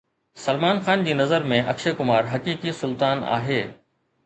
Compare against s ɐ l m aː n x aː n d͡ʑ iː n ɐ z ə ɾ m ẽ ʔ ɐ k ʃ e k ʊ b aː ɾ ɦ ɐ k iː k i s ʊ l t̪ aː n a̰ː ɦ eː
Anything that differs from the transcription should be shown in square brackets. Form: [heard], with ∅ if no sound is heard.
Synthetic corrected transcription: s ɐ l m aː n x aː n d͡ʑ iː n ɐ z ə ɾ m ẽ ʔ ɐ k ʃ e k ʊ [m] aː ɾ ɦ ɐ k iː k i s ʊ l t̪ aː n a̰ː ɦ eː